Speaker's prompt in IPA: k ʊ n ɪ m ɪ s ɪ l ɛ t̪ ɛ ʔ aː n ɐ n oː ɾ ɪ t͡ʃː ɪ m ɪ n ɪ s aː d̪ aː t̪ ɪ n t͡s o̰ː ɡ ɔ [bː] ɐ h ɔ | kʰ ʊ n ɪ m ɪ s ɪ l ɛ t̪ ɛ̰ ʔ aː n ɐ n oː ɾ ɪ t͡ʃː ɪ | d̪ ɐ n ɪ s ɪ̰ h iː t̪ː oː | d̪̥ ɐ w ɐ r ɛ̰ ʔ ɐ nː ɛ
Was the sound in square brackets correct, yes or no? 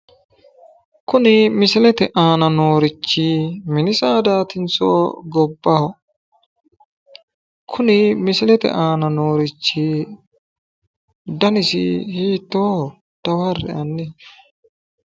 yes